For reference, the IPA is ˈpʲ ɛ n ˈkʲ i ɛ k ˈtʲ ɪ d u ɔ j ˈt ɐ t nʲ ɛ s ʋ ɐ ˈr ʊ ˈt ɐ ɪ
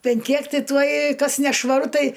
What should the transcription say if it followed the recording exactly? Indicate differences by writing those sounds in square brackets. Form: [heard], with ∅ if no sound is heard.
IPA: ˈpʲ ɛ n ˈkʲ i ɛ k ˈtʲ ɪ [t] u ɔ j [ˈk] ɐ [s] nʲ ɛ [ʃ] ʋ ɐ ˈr ʊ ˈt ɐ ɪ